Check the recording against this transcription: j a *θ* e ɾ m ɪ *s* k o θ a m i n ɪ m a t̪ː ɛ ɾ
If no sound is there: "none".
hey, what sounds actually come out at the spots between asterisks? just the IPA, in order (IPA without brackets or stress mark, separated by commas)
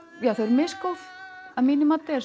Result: θ, s